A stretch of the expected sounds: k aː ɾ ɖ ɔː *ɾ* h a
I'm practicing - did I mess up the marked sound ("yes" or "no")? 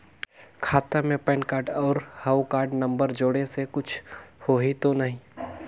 no